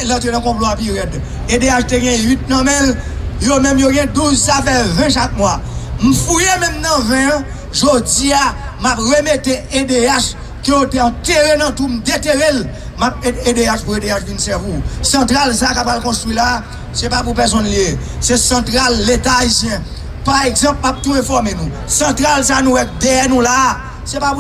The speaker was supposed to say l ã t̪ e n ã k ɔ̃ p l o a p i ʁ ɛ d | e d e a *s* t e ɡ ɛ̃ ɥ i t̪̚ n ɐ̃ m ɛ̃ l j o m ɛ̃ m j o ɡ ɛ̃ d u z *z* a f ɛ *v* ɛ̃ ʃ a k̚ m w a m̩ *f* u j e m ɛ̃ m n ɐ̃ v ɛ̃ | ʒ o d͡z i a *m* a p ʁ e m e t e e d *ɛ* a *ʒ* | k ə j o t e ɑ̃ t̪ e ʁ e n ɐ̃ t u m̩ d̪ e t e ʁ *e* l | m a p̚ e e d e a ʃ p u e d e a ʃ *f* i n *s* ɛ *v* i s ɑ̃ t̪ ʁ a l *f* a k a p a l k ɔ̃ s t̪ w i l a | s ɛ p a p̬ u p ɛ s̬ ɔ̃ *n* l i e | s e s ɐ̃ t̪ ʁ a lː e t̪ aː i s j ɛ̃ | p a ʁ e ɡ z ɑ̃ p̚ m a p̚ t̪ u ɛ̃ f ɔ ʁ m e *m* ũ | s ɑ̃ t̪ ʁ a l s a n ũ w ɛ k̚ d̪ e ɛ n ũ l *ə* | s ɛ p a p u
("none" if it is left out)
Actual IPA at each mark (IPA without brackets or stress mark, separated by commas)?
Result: ʃ, s, v, f, m, e, ʃ, e, v, s, v, s, n, n, a